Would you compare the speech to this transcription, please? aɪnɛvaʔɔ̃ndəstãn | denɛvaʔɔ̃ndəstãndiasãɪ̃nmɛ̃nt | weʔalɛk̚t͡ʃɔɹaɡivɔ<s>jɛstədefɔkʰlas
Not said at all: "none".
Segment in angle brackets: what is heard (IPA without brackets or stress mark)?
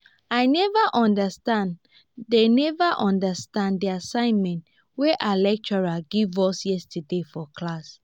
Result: s